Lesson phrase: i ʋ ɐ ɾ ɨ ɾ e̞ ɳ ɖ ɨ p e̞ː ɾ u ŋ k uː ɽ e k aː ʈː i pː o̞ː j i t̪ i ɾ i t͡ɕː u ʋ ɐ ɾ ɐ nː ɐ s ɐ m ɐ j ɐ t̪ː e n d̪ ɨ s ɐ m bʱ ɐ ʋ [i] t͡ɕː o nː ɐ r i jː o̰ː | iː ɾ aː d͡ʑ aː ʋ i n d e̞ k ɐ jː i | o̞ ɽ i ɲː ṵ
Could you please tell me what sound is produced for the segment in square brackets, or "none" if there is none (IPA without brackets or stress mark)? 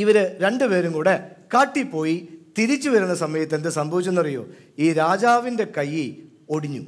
i